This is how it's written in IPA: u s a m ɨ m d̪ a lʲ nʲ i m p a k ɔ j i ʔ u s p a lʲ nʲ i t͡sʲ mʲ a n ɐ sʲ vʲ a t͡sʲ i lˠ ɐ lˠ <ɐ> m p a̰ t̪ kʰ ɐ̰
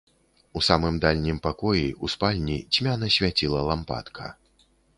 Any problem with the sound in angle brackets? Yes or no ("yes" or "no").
yes